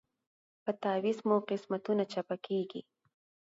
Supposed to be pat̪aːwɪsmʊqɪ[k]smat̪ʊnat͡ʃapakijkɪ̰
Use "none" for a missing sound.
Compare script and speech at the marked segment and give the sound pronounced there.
none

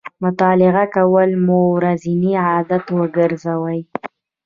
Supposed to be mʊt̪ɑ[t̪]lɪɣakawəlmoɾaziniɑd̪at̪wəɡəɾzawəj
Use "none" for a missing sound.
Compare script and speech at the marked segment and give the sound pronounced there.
none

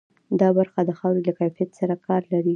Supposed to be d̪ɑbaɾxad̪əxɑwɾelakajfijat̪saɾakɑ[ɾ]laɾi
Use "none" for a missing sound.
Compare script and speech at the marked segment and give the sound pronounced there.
ɾ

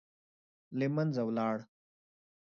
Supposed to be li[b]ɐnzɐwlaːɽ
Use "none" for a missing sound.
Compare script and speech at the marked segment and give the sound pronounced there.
m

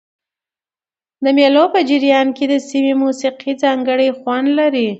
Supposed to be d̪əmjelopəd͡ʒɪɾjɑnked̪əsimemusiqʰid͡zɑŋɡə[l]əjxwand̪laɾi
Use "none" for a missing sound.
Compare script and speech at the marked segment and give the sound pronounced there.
ɽ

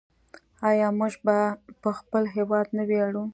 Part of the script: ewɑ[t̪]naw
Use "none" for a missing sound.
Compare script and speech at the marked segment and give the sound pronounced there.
d̪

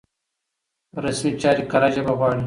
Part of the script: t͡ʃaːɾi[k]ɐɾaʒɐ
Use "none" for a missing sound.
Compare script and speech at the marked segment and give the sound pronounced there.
k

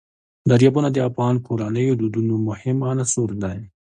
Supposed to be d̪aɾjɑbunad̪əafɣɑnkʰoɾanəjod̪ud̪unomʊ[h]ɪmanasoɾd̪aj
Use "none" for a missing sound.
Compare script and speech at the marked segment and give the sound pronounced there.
h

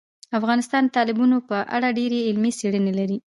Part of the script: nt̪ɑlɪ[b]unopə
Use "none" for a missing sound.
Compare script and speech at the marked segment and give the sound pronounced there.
b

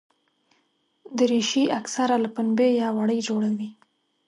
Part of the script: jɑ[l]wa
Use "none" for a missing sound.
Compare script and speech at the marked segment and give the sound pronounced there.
none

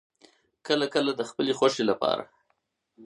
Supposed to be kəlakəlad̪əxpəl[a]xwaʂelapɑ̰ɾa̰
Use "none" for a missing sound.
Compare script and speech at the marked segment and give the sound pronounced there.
e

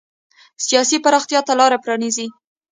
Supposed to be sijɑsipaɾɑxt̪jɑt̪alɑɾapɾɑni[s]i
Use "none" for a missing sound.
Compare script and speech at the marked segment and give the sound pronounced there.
z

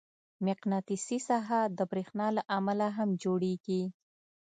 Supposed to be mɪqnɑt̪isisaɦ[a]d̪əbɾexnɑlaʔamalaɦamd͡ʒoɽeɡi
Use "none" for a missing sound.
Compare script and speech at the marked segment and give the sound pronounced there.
a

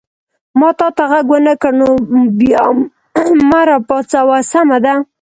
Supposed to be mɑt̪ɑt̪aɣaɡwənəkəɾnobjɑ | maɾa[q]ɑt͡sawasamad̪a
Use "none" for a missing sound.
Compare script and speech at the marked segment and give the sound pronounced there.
p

